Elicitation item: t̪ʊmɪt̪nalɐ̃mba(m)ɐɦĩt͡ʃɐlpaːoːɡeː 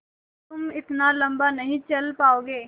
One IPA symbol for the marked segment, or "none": n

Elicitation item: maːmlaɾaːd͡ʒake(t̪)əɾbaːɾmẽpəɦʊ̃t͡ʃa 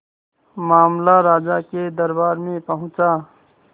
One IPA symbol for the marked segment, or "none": d̪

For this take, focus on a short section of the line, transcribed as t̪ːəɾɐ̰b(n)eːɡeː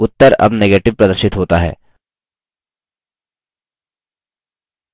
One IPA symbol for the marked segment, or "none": n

